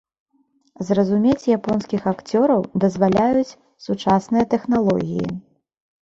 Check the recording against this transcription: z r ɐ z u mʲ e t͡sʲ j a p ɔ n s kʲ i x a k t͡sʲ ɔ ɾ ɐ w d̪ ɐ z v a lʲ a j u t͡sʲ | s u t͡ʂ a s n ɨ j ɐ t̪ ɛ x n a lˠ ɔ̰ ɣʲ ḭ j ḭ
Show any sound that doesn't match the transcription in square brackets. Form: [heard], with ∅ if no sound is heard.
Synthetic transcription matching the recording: z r ɐ z u mʲ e t͡sʲ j a p ɔ n s kʲ i x a k t͡sʲ ɔ ɾ ɐ w d̪ ɐ z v a lʲ a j u t͡sʲ | s u t͡ʂ a s n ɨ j ɐ t̪ ɛ x n a lˠ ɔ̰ ɣʲ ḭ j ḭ